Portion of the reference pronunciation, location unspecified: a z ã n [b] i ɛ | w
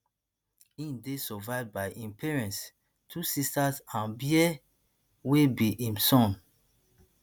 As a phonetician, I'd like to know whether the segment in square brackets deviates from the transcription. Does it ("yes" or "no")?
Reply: no